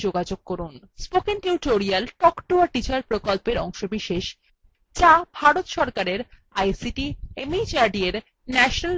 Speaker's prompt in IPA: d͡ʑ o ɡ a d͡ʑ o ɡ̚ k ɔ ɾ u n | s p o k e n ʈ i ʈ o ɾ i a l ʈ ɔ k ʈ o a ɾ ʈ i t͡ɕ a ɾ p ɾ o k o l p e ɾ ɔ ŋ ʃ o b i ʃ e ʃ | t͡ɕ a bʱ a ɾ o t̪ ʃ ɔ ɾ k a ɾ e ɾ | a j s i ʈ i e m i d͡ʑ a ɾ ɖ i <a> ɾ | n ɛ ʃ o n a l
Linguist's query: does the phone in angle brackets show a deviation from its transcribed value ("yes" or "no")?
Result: yes